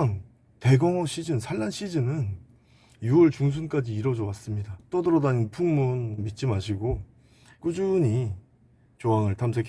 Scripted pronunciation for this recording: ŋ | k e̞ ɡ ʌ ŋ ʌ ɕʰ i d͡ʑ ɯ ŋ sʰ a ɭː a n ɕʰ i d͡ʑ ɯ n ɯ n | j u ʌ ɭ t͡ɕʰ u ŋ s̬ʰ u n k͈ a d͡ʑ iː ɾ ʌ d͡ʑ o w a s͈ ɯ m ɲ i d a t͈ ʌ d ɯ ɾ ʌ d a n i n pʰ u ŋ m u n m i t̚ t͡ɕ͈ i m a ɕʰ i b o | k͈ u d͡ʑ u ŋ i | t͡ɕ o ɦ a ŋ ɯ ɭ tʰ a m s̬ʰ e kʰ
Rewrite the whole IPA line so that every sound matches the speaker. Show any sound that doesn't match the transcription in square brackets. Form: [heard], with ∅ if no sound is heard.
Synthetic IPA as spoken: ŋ | [t] e̞ ɡ ʌ ŋ ʌ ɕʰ i d͡ʑ ɯ [n] sʰ a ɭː a n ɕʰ i d͡ʑ ɯ n ɯ n | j u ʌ ɭ [t͡ɕ] u ŋ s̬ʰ u n k͈ a d͡ʑ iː ɾ ʌ d͡ʑ o w a s͈ ɯ m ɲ i d a t͈ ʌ d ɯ ɾ ʌ d a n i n pʰ u ŋ m u n m i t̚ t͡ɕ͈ i m a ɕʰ i [ɡ] o | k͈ u d͡ʑ u [ɲ] i | t͡ɕ o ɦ a ŋ ɯ ɭ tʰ a m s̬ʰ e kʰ